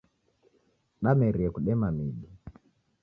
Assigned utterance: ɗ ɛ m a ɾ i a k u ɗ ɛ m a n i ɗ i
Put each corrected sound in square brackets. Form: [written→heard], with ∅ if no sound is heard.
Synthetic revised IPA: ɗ [ɛ→a] m [a→ɛ] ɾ i [a→ɛ] k u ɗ ɛ m a [n→m] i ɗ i